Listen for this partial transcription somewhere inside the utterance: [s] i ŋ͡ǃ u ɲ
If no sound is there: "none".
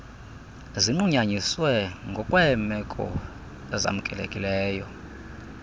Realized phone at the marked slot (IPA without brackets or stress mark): z